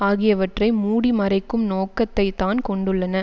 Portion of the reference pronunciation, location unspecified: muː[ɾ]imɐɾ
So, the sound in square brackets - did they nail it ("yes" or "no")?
no